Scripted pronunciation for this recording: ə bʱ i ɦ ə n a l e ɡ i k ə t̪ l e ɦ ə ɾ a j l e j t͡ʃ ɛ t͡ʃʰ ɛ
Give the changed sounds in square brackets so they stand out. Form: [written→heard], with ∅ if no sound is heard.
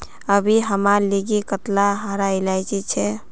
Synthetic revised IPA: ə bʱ i ɦ ə [n→m] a l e ɡ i k ə t̪ l [e→a] ɦ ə ɾ a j l [e→a] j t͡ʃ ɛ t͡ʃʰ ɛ

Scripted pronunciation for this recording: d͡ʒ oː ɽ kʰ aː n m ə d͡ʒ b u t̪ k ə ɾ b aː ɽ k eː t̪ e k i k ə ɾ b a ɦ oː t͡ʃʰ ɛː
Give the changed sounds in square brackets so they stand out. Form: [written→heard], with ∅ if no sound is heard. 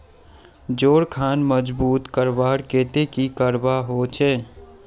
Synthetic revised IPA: d͡ʒ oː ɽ kʰ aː n m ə d͡ʒ b [u→uː] t̪ k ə ɾ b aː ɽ k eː t̪ e k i k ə ɾ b a ɦ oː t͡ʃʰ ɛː

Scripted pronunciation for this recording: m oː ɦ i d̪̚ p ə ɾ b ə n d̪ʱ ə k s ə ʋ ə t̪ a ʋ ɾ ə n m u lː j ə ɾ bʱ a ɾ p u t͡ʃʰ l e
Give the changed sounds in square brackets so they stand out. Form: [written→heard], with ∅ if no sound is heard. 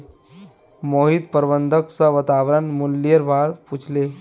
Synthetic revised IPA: m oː ɦ i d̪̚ p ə ɾ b ə n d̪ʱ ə k s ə ʋ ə t̪ a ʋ ɾ ə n m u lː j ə ɾ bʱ a ɾ p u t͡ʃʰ l e

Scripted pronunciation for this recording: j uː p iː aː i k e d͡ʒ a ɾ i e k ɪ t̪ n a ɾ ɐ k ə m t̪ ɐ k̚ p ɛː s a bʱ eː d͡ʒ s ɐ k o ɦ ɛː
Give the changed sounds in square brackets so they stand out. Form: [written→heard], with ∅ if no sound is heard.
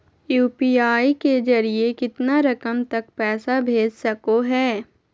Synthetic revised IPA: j uː p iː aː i k e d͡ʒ [a→ɐ] ɾ i e k ɪ t̪ n a ɾ ɐ k ə m t̪ ɐ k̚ p ɛː s a bʱ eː d͡ʒ s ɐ k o ɦ ɛː

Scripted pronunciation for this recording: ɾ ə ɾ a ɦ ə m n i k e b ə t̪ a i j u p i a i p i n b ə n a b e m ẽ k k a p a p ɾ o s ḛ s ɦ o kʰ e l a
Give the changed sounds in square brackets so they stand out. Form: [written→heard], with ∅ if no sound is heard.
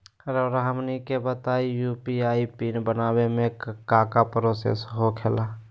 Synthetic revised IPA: ɾ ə ɾ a ɦ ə m n i k e b ə t̪ a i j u p i a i p i n b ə n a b e m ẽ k k a [p→k] a p ɾ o s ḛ s ɦ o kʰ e l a

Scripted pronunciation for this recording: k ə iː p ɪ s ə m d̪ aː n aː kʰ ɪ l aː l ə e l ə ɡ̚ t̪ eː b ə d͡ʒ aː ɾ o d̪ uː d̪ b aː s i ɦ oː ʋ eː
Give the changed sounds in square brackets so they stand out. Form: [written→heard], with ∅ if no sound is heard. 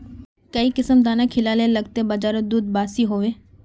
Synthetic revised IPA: k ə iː [p→k] ɪ s ə m d̪ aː n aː kʰ ɪ l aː l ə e l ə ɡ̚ t̪ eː b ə d͡ʒ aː ɾ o d̪ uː d̪ b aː s i ɦ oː ʋ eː

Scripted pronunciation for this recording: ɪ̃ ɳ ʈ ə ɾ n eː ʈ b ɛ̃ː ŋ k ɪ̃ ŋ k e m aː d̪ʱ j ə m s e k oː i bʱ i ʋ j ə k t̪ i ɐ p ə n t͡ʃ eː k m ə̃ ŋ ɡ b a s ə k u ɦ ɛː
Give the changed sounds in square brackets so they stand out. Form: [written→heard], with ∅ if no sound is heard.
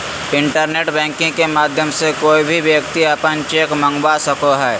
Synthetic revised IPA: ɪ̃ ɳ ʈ ə ɾ n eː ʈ b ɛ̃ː ŋ k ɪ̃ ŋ k e m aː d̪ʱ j ə m s e k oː i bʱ i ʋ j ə k t̪ i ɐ p ə n t͡ʃ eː k m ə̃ ŋ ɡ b a s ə k [u→o] ɦ ɛː

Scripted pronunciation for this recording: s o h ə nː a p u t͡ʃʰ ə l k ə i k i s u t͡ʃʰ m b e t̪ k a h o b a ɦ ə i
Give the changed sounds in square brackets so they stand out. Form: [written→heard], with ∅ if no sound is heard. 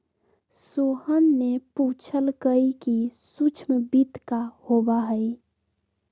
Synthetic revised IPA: s o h ə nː [a→e] p u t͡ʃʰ ə l k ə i k i s u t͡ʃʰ m b [e→i] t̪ k a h o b a ɦ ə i

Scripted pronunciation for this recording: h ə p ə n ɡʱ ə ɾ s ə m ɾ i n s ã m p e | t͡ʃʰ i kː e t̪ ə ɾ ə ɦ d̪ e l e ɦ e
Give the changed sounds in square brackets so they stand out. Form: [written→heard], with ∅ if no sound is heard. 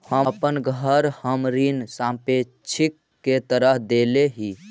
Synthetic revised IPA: h ə p ə n ɡʱ ə ɾ [s→h] ə m ɾ i n s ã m p e | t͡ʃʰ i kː e t̪ ə ɾ ə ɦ d̪ e l e ɦ [e→i]

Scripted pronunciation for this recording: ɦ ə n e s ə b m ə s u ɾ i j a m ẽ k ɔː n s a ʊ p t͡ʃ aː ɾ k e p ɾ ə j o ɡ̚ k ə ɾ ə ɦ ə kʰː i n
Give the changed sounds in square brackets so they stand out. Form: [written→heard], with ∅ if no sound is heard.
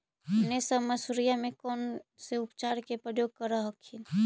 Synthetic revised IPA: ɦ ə n e s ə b m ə s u ɾ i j a m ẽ k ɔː n s [a→e] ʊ p t͡ʃ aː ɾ k e p ɾ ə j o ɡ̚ k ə ɾ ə ɦ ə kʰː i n

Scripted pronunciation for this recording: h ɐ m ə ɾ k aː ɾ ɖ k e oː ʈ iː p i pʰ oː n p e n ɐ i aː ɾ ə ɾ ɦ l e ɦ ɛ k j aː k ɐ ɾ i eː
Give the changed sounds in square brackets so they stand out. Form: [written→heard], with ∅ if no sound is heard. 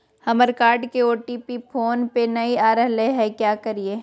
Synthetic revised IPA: h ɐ m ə ɾ k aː ɾ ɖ k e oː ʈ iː p i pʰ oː n p e n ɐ i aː ɾ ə [ɾ→∅] ɦ l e ɦ ɛ k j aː k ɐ ɾ i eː

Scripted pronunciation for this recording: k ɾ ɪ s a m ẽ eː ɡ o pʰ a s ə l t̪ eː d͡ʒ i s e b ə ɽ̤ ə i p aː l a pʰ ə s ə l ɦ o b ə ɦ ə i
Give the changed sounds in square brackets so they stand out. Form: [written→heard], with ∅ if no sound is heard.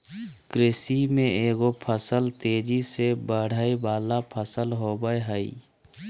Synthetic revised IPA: k ɾ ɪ s [a→i] m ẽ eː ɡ o pʰ [a→ə] s ə l t̪ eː d͡ʒ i s e b ə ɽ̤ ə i [p→b] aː l a pʰ ə s ə l ɦ o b ə ɦ ə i

